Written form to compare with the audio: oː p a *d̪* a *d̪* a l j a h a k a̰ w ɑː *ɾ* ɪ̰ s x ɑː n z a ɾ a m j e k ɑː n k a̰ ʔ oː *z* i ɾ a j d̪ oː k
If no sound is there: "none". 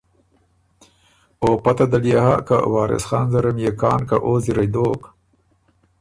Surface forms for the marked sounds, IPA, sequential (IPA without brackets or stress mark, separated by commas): t̪, d̪, ɾ, z